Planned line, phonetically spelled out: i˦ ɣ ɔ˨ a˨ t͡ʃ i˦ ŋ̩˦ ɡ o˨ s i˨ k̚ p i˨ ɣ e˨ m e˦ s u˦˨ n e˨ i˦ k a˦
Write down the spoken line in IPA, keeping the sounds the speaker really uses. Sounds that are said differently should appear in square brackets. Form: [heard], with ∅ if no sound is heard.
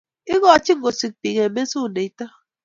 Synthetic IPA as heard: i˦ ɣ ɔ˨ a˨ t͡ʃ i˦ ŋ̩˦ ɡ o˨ s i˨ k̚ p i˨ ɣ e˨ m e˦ s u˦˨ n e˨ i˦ [t] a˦